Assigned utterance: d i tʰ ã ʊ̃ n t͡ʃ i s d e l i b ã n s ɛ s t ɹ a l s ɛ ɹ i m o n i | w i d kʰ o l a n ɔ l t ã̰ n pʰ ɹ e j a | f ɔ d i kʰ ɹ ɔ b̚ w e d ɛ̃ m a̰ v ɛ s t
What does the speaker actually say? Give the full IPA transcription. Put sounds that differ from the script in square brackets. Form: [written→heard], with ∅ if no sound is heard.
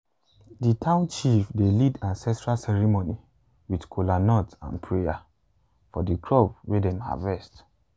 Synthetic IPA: d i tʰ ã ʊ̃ n t͡ʃ i [s→f] d e l i [b→d] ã n s ɛ s t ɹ a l s ɛ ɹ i m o n i | w i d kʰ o l a n ɔ [l→∅] t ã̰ n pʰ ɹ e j a | f ɔ d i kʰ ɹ ɔ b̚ w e d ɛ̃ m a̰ v ɛ s t

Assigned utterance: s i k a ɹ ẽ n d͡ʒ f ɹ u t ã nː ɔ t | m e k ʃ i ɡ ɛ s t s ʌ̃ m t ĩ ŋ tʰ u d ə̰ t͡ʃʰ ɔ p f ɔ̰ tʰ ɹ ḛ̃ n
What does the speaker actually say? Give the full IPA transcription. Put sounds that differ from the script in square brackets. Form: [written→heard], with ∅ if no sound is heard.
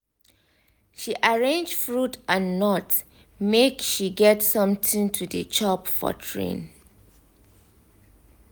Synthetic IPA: [s→ʃ] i [k→ʔ] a ɹ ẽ n d͡ʒ f ɹ u t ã nː ɔ t | m e k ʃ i ɡ ɛ [s→∅] t s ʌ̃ m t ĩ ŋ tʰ u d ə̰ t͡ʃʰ ɔ p f ɔ̰ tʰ ɹ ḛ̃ n

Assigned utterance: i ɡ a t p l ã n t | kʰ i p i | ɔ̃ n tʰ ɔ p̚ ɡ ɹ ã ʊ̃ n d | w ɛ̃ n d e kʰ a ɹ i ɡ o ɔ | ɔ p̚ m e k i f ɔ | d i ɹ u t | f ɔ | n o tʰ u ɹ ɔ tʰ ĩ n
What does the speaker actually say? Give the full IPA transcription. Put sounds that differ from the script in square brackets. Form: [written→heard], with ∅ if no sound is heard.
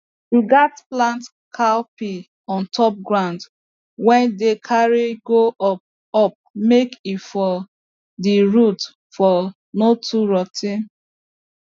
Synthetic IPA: i ɡ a t p l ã n t | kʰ [i→a] p i | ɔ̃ n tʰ ɔ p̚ ɡ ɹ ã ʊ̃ n d | w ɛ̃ n d e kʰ a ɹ i ɡ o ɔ | ɔ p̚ m e k i f ɔ | d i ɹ u t | f ɔ | n o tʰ u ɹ ɔ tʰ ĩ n

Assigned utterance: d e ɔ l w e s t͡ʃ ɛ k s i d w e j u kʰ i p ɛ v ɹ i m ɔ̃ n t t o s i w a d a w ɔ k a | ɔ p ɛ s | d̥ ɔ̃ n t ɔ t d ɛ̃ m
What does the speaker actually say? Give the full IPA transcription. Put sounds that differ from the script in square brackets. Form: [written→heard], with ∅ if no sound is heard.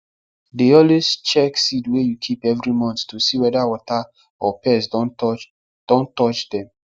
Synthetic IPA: d e ɔ l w e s t͡ʃ ɛ k s i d w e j u kʰ i p ɛ v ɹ i m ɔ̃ n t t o s i w [a→ɛ] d a w ɔ [k→t] a | ɔ p ɛ s | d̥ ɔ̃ n t ɔ [t→t͡ʃ] d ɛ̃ m

